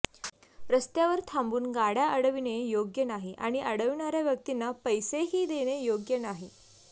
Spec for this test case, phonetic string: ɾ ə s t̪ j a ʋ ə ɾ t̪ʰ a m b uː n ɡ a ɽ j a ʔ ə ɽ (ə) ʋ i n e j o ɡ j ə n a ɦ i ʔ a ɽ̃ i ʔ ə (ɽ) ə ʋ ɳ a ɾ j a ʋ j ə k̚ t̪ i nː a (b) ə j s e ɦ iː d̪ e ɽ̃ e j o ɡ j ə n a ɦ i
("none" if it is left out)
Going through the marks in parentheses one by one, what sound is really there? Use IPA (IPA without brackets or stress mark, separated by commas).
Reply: ə, ɽ, p